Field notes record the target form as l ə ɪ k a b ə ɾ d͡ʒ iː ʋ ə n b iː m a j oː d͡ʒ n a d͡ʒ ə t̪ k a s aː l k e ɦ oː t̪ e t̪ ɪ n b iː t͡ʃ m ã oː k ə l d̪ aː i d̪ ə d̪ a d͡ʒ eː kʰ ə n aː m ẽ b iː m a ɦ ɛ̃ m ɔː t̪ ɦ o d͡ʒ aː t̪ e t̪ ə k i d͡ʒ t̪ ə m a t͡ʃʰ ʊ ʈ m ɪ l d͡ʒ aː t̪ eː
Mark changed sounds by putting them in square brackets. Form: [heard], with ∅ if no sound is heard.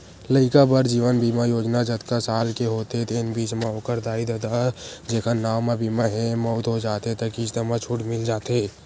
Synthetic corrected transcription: l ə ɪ k a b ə ɾ d͡ʒ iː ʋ ə n b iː m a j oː d͡ʒ n a d͡ʒ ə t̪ k a s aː l k e ɦ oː t̪ e t̪ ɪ n b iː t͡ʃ m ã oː k ə [ɾ] d̪ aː i d̪ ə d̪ a d͡ʒ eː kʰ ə n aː m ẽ b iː m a ɦ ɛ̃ m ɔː t̪ ɦ o d͡ʒ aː t̪ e t̪ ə k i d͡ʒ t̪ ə m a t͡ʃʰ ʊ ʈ m ɪ l d͡ʒ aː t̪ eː